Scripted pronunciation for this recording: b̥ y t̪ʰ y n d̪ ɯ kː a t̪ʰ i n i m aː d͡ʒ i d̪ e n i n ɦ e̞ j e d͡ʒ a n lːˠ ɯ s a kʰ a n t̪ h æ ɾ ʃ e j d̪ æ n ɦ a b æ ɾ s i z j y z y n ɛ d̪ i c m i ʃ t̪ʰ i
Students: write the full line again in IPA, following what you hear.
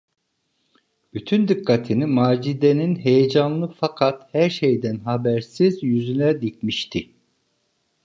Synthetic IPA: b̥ y t̪ʰ y n d̪ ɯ kː a t̪ʰ i n i m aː d͡ʒ i d̪ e n i n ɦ e̞ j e d͡ʒ a n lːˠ ɯ f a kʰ a t̪ h æ ɾ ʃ e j d̪ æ n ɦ a b æ ɾ s i z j y z y n ɛ d̪ i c m i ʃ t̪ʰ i